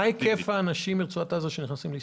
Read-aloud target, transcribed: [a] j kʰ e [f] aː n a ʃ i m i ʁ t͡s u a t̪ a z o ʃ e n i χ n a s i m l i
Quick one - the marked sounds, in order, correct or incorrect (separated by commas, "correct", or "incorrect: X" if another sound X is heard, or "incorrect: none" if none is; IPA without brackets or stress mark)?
correct, correct